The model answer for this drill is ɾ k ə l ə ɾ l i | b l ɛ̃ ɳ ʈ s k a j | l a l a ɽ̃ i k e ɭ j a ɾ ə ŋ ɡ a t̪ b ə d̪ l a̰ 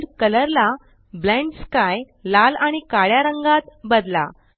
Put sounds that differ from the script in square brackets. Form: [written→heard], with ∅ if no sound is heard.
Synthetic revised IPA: ɾ k ə l ə ɾ l [i→a] | b l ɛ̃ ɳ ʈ s k a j | l a l a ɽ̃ i k [e→a] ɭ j a ɾ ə ŋ ɡ a t̪ b ə d̪ l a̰